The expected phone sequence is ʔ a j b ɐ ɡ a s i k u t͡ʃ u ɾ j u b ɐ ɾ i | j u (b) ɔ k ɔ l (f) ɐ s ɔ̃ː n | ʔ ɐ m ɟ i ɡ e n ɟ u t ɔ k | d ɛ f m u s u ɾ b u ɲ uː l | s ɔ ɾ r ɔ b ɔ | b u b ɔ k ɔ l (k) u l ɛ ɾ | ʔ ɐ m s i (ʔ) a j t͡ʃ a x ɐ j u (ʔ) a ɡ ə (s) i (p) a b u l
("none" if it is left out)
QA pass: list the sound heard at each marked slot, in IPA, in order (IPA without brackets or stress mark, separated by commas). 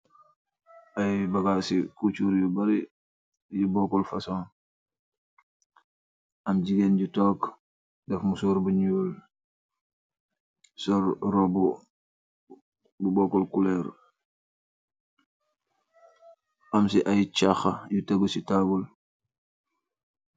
b, f, k, ʔ, t, s, t